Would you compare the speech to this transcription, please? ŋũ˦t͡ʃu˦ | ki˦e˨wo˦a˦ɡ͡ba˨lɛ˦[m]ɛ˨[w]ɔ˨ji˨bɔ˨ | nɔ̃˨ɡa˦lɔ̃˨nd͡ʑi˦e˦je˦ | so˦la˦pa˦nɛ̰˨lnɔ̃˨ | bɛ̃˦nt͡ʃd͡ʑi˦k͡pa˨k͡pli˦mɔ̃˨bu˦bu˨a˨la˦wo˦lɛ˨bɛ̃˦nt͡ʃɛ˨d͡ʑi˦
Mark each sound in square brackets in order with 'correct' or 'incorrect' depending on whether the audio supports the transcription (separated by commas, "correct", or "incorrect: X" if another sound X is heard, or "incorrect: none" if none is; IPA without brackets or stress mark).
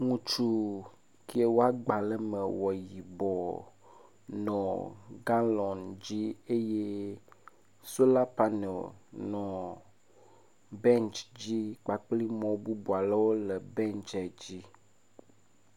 correct, correct